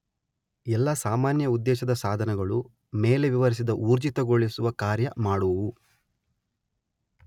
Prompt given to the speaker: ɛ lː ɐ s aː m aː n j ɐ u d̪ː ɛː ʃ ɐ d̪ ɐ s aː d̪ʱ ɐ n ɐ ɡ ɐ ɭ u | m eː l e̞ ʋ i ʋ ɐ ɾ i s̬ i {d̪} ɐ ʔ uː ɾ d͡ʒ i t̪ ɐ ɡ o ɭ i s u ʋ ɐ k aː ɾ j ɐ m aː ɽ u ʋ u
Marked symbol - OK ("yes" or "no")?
yes